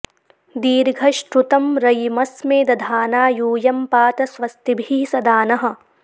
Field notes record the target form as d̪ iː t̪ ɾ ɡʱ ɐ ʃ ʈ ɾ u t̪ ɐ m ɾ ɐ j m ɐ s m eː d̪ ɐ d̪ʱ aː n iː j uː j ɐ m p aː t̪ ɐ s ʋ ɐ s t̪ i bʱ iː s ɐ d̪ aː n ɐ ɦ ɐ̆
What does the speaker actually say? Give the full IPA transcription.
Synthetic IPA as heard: d̪ iː ɾ ɡʱ ɐ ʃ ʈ ɾ u t̪ ɐ m ɾ ɐ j m ɐ s m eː d̪ ɐ d̪ʱ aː n aː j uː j ɐ m p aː t̪ ɐ s ʋ ɐ s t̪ i bʱ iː s ɐ d̪ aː n ɐ ɦ ɐ̆